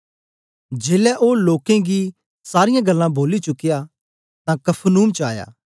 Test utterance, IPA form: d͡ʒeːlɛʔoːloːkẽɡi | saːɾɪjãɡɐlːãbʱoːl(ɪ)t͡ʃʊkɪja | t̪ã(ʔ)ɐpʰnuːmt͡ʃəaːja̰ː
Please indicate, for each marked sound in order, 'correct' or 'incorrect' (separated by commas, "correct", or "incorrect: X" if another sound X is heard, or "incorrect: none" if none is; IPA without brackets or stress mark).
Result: incorrect: i, incorrect: k